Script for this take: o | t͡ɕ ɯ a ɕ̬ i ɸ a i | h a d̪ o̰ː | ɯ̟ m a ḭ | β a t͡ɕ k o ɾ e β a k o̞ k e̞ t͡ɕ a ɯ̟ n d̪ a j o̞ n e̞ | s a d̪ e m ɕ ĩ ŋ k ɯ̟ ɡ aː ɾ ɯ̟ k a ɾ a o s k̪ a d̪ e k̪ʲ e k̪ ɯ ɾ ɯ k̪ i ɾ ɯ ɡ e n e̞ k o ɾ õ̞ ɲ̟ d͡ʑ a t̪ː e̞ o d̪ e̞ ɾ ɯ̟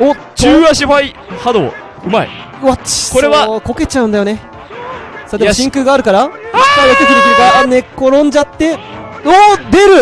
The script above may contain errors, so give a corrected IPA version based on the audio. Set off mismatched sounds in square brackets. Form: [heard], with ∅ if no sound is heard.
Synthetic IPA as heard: o | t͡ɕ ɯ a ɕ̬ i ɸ a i | h a d̪ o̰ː | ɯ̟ m a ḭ | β a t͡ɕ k o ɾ e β a k o̞ k e̞ t͡ɕ a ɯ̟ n d̪ a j o̞ n e̞ | s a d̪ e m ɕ ĩ ŋ k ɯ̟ ɡ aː ɾ ɯ̟ k a ɾ a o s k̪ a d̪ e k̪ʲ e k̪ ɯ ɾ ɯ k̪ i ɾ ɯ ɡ [a] n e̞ k o ɾ õ̞ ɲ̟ d͡ʑ a t̪ː e̞ o d̪ e̞ ɾ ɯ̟